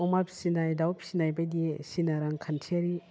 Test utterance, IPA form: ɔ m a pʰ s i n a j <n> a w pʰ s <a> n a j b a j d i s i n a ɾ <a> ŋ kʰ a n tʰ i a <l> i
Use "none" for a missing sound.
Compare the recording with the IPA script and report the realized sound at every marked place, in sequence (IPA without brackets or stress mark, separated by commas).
d, i, a, ɾ